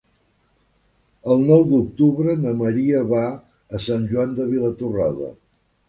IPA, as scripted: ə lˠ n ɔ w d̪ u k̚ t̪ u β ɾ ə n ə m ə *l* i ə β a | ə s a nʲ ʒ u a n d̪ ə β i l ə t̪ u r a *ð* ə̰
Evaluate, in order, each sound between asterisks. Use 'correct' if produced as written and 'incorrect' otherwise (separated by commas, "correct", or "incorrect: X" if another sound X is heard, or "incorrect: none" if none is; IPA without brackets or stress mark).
incorrect: ɾ, correct